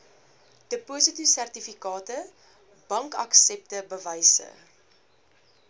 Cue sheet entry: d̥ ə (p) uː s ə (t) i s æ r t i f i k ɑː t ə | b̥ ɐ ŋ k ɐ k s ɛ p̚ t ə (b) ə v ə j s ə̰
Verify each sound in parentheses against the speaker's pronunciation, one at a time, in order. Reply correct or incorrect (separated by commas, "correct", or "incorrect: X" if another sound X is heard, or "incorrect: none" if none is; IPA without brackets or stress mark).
correct, correct, correct